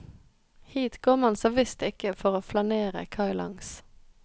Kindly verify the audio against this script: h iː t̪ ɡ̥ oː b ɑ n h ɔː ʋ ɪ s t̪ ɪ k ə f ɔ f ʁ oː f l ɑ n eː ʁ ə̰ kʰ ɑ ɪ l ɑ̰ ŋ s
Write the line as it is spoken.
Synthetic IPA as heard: h iː t̪ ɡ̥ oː m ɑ n s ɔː ʋ ɪ s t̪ ɪ k ə f ɔ ʁ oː f l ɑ n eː ʁ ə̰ kʰ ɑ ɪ l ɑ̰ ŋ s